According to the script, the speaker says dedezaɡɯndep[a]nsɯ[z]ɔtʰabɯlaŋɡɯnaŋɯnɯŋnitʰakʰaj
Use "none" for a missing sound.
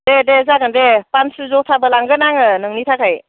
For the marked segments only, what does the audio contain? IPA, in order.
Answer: a, z

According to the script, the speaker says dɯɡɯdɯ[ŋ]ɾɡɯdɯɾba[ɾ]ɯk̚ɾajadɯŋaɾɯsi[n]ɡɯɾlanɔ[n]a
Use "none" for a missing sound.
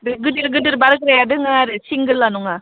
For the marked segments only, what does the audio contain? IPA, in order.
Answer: none, ɾ, ŋ, ŋ

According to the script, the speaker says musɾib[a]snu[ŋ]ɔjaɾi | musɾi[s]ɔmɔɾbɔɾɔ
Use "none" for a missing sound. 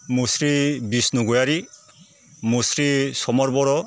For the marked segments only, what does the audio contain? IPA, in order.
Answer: i, ɡ, s

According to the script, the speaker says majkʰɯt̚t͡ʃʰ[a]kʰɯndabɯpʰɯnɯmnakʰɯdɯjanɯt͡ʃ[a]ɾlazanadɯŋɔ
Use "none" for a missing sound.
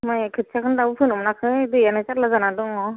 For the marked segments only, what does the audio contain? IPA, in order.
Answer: a, a

